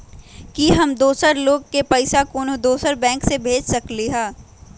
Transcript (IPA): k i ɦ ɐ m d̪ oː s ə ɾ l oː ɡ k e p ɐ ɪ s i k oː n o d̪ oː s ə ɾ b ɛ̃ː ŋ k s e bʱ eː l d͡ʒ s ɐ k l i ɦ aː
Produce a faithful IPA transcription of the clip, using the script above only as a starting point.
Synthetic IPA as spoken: k i ɦ ɐ m d̪ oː s ə ɾ l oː ɡ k e p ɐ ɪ s a k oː n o d̪ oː s ə ɾ b ɛ̃ː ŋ k s e bʱ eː d͡ʒ s ɐ k l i ɦ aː